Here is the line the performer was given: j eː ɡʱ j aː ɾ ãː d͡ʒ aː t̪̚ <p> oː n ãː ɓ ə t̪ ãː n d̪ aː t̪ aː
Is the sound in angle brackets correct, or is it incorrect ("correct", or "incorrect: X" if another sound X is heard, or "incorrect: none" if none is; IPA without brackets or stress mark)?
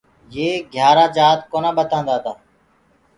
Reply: incorrect: k